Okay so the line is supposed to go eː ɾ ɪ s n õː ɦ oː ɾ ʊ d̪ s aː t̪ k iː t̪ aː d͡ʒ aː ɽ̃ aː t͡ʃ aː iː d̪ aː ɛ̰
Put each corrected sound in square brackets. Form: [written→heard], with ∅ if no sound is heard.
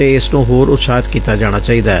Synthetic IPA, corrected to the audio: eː [ɾ→∅] ɪ s n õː ɦ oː ɾ ʊ [d̪→t̪] s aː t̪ k iː t̪ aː d͡ʒ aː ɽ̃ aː t͡ʃ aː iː d̪ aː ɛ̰